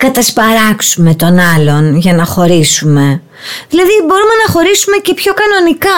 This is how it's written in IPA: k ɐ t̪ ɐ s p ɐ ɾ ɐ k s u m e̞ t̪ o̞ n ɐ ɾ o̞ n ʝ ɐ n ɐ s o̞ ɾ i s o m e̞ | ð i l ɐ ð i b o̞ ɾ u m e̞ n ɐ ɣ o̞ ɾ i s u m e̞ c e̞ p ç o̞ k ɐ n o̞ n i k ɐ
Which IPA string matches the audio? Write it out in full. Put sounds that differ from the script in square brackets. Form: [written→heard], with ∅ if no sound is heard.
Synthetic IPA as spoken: k ɐ t̪ ɐ s p ɐ ɾ ɐ k s u m e̞ t̪ o̞ n ɐ [ɾ→l] o̞ n ʝ ɐ n ɐ [s→x] o̞ ɾ i s [o→u] m e̞ | ð i l ɐ ð i b o̞ ɾ u m e̞ n ɐ [ɣ→x] o̞ ɾ i s u m e̞ c e̞ p ç o̞ k ɐ n o̞ n i k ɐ